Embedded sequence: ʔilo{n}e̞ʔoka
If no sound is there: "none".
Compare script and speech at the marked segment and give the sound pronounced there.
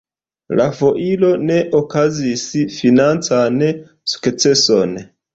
n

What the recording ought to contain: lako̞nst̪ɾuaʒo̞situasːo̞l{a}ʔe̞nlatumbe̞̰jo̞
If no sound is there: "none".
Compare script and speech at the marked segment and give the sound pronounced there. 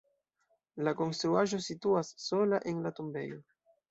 a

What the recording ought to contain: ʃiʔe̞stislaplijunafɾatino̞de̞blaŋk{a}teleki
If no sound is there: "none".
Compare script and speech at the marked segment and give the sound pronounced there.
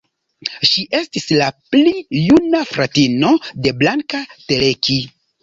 a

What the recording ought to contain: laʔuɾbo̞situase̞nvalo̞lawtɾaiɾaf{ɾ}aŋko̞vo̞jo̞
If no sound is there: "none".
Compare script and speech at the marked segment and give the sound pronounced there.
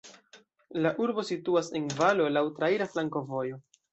l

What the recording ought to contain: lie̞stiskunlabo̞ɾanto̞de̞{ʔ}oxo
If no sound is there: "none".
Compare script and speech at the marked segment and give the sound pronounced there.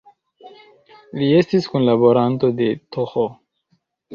t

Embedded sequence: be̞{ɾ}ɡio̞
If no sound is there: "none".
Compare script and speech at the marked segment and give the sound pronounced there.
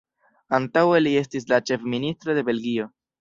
l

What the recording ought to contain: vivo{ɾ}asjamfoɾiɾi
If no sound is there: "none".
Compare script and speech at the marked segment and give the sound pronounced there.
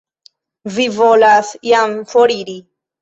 l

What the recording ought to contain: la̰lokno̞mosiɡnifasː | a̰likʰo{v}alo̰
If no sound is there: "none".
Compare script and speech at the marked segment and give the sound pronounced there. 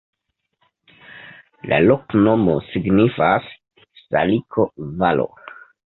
v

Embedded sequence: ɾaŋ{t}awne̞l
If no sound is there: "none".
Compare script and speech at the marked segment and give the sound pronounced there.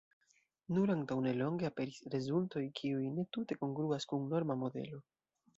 t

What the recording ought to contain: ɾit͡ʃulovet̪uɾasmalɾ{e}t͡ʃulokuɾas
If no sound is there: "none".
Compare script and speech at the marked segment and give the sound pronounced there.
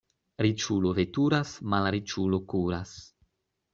i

